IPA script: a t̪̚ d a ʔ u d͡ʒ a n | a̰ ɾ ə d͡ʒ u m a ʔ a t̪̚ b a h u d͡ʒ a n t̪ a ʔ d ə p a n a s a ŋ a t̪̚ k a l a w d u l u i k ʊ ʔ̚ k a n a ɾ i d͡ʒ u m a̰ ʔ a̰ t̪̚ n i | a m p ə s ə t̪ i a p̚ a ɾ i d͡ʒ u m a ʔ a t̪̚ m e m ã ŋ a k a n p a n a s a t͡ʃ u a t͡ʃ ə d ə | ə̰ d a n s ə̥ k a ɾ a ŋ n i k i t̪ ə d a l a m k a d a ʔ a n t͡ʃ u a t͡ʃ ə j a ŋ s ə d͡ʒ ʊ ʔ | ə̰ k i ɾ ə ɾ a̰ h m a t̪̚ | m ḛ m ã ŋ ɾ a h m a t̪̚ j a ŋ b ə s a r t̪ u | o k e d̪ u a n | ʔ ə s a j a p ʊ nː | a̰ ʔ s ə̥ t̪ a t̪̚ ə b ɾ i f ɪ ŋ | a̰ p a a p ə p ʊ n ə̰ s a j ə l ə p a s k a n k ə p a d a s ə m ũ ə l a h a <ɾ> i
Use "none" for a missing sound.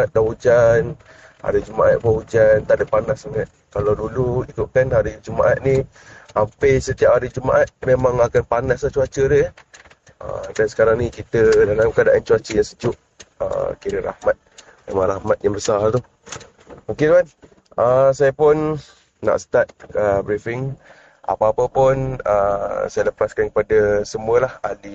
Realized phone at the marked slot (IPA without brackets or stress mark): l